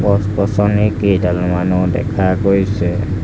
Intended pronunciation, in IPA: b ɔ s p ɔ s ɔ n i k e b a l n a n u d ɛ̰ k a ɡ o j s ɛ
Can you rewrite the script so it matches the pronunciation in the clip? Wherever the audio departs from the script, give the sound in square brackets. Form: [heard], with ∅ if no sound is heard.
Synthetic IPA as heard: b ɔ s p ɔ s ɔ n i k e [d] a l [m] a n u d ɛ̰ [kʰ] a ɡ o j s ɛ